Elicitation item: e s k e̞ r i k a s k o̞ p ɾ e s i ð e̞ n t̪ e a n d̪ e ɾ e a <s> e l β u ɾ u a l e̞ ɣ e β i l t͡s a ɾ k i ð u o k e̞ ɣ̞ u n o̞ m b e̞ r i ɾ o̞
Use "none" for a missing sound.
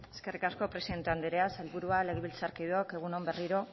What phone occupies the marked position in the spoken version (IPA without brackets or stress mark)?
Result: s